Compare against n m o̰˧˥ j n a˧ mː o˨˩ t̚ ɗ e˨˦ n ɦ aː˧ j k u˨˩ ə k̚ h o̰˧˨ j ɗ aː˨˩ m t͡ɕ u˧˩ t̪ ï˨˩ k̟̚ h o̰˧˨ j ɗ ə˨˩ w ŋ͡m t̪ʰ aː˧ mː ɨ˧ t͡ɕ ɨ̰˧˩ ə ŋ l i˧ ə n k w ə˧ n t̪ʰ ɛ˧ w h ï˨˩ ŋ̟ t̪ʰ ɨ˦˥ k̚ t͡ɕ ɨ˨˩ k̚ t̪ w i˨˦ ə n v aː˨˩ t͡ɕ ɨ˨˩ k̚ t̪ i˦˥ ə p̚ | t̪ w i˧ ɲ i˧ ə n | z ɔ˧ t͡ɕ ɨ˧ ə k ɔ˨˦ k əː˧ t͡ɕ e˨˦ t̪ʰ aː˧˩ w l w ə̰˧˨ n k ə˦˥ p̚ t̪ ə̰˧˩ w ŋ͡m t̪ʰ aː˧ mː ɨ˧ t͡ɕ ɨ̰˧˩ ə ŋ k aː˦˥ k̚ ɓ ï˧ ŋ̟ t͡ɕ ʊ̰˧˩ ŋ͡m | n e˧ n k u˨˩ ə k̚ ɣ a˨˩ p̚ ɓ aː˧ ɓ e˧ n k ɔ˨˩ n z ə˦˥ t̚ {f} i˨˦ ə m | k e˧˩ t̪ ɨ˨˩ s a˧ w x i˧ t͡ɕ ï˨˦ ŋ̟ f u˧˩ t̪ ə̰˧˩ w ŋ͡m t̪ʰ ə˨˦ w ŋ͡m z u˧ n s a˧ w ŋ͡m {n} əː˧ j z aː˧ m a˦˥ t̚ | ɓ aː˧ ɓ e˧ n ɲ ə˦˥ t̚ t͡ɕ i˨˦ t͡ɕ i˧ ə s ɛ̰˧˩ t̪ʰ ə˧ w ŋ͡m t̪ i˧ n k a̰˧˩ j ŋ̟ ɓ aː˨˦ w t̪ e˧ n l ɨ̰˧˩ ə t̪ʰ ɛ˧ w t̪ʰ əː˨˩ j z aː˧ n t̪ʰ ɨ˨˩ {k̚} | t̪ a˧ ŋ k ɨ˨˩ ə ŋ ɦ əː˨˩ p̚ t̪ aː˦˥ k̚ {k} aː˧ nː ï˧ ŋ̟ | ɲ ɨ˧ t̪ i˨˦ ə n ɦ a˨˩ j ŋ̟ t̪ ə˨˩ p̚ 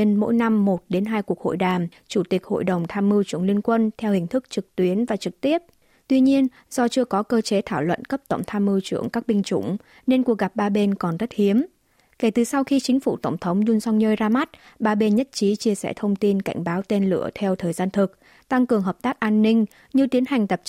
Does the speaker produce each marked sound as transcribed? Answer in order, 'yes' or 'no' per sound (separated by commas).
no, no, yes, no